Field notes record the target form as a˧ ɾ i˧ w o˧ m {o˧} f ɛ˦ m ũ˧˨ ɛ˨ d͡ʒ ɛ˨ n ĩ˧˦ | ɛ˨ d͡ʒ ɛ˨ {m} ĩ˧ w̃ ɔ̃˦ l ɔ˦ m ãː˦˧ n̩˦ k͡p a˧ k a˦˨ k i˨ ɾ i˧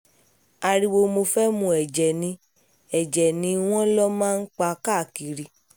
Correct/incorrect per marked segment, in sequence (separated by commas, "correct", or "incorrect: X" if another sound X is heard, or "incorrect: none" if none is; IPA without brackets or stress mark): correct, incorrect: n